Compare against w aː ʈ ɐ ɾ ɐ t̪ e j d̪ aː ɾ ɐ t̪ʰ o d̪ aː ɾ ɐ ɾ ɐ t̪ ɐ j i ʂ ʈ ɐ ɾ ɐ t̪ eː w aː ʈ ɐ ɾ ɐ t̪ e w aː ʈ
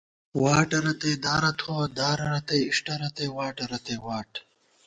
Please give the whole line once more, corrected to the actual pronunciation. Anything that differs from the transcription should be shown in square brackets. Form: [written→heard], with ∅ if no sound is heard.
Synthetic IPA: w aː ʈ ɐ ɾ ɐ t̪ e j d̪ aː ɾ ɐ t̪ʰ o d̪ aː ɾ ɐ ɾ ɐ t̪ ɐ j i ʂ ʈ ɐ ɾ ɐ t̪ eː w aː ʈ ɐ ɾ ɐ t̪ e w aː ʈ